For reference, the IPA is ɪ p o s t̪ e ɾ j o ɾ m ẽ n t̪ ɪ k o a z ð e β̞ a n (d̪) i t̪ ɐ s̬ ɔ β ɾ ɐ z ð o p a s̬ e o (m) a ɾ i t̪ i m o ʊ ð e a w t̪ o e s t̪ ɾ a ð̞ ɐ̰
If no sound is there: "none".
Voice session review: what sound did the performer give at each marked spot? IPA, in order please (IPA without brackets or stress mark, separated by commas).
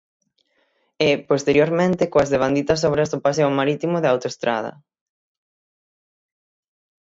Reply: d̪, m